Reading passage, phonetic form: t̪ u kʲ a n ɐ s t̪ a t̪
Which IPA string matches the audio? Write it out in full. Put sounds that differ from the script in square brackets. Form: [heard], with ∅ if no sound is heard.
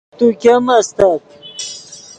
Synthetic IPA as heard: t̪ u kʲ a [m] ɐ s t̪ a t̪